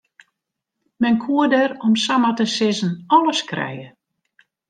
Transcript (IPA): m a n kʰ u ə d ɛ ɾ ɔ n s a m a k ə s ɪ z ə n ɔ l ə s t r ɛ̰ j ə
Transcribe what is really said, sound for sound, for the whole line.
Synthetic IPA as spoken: m ɛ n kʰ u ə d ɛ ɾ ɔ m s a m a t ə s ɪ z ə n ɔ l ə s k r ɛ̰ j ə